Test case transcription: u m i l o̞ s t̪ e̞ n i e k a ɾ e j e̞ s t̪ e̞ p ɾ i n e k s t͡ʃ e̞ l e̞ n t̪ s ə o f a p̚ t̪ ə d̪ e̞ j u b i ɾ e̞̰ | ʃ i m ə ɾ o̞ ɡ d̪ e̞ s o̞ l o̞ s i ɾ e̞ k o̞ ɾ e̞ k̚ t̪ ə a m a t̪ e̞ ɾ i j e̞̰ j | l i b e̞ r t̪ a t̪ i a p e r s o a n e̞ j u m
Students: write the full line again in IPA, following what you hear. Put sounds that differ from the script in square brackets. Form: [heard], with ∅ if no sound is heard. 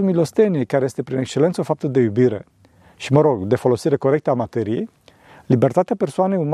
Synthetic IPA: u m i l o̞ s t̪ e̞ n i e k a ɾ e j e̞ s t̪ e̞ p ɾ i n e k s t͡ʃ e̞ l e̞ n t̪ s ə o f a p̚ t̪ ə d̪ e̞ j u b i ɾ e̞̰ | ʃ i m ə ɾ o̞ ɡ d̪ e̞ [f] o̞ l o̞ s i ɾ e̞ k o̞ ɾ e̞ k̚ t̪ ə a m a t̪ e̞ ɾ i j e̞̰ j | l i b e̞ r t̪ a t̪ [e] a p e r s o a n e̞ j u m